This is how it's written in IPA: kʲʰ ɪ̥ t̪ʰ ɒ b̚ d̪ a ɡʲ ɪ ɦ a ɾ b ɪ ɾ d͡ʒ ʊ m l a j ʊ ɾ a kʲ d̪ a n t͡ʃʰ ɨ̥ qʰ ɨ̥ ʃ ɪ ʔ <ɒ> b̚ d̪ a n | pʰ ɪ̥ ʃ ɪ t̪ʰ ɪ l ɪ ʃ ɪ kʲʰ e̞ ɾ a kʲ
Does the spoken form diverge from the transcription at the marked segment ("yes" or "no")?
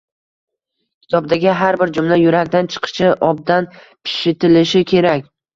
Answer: no